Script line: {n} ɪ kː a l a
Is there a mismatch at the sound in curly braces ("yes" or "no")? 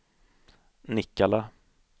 no